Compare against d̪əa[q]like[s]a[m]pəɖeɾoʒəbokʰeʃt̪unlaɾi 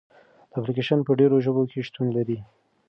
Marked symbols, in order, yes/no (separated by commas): no, no, no